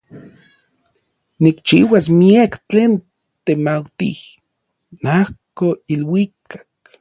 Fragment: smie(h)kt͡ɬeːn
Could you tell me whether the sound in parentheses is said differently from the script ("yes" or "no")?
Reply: yes